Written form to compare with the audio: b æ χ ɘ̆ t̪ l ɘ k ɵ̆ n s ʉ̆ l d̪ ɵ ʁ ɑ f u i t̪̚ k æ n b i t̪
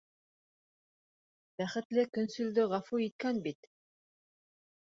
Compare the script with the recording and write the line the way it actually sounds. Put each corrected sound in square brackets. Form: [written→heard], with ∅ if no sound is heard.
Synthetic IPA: b æ χ ɘ̆ t̪ l ɘ k ɵ̆ n s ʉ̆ l d̪ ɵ ʁ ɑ f u i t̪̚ k æ n b i t̪

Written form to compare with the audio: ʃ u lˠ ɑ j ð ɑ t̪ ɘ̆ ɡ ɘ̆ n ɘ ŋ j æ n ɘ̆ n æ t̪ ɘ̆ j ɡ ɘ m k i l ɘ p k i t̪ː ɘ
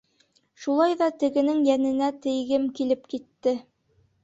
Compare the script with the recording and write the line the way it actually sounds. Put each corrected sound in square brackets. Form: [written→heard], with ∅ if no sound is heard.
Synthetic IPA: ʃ u lˠ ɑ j ð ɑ t̪ ɘ̆ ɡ ɘ̆ n ɘ ŋ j æ n ɘ̆ n æ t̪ ɘ̆ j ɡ ɘ m k i l ɘ p k i t̪ː ɘ

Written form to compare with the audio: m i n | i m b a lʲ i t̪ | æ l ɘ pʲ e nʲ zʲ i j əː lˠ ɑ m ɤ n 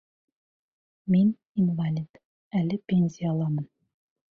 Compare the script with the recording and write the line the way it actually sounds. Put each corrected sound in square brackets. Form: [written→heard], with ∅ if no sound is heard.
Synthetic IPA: m i n | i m [b→v] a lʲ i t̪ | æ l ɘ pʲ e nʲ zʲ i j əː lˠ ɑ m ɤ n

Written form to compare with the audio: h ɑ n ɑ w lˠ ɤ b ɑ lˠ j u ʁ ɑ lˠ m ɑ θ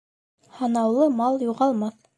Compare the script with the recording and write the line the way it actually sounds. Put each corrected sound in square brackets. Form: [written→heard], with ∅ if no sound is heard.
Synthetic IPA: h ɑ n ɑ w lˠ ɤ [b→m] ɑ lˠ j u ʁ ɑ lˠ m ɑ θ

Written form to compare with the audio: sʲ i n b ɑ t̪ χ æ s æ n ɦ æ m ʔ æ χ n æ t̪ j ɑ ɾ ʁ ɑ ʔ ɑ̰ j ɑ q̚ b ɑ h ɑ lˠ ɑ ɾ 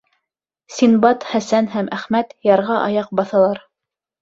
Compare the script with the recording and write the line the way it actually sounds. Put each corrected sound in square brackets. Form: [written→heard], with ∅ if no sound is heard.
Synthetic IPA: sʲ i n b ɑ t̪ χ æ s æ n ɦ æ m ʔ æ χ [n→m] æ t̪ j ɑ ɾ ʁ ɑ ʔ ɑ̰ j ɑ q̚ b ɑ [h→θ] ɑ lˠ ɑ ɾ

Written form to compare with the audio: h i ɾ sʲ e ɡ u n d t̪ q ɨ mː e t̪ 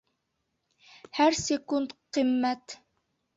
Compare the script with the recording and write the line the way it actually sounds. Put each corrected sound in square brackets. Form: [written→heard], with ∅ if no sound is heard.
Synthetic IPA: h [i→æ] ɾ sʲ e [ɡ→k] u n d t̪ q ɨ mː [e→æ] t̪

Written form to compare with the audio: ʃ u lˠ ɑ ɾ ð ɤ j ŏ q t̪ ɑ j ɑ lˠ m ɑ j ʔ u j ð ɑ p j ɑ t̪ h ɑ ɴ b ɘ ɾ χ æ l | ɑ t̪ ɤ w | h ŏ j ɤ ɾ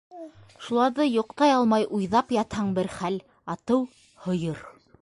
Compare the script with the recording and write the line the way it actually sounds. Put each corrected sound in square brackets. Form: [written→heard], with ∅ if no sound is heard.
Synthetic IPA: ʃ u lˠ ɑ ɾ ð ɤ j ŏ q t̪ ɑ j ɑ lˠ m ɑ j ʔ u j ð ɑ p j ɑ t̪ h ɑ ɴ b ɘ ɾ χ æ l | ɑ t̪ ɤ w | h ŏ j ɤ ɾ

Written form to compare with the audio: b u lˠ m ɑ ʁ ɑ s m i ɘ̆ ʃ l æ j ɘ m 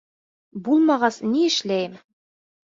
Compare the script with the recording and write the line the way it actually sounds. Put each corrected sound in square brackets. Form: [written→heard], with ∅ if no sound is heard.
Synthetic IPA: b u lˠ m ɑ ʁ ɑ s [m→n] i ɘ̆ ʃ l æ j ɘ m

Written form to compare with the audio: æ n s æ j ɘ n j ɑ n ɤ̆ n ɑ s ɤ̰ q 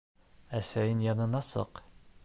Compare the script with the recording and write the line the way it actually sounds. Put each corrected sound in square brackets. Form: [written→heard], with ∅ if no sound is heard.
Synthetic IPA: æ [n→∅] s æ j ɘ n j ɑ n ɤ̆ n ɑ s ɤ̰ q

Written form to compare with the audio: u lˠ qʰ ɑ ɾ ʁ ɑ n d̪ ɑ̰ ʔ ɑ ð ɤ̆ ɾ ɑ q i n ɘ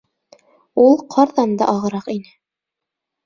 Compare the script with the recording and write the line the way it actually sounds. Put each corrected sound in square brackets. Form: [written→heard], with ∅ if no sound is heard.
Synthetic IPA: u lˠ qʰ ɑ ɾ [ʁ→ð] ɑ n d̪ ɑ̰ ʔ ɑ [ð→ʁ] ɤ̆ ɾ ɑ q i n ɘ

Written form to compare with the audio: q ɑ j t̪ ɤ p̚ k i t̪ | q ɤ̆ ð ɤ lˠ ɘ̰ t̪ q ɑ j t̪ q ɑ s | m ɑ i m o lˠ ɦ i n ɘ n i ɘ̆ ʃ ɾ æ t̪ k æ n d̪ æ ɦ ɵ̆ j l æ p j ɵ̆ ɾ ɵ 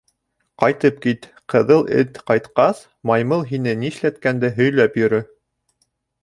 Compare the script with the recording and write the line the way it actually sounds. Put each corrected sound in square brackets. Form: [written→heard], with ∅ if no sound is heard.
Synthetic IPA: q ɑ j t̪ ɤ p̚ k i t̪ | q ɤ̆ ð ɤ lˠ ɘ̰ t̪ q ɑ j t̪ q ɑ s | m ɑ [i→j] m [o→ɤ] lˠ ɦ i n ɘ n i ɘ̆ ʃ [ɾ→l] æ t̪ k æ n d̪ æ ɦ ɵ̆ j l æ p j ɵ̆ ɾ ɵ

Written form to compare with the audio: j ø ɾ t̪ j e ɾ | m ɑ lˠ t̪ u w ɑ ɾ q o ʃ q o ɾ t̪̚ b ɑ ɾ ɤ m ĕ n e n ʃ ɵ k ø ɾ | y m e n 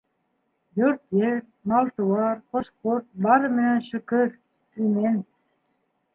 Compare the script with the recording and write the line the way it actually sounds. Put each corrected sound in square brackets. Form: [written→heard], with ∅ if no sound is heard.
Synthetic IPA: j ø ɾ t̪ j e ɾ | m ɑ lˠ t̪ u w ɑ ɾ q o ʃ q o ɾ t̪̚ b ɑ ɾ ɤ m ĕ n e n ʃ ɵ k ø ɾ | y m e n

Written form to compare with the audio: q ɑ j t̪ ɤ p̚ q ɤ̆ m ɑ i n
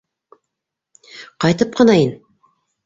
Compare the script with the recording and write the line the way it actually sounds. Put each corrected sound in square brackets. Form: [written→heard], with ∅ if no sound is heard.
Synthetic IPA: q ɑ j t̪ ɤ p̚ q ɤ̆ [m→n] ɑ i n

